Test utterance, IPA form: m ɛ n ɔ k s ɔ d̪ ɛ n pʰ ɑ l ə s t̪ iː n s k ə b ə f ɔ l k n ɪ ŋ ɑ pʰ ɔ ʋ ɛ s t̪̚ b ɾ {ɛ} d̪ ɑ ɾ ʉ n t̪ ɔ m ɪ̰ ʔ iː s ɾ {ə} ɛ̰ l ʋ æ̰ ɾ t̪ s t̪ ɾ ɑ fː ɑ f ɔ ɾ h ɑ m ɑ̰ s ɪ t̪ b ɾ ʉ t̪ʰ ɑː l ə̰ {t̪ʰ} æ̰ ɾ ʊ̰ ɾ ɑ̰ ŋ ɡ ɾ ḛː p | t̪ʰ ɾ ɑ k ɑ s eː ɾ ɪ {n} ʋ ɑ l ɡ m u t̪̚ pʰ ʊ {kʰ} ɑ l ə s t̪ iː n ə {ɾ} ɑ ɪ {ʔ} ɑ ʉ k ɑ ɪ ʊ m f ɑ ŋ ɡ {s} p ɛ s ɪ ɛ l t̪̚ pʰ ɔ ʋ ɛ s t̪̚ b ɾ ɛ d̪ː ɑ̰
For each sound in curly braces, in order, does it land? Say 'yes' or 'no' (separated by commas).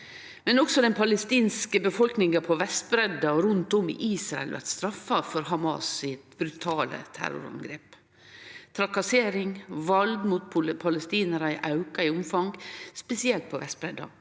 yes, no, yes, no, no, yes, yes, yes